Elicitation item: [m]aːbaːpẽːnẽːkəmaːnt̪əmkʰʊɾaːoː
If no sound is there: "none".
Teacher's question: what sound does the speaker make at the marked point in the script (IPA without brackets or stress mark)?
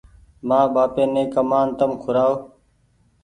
m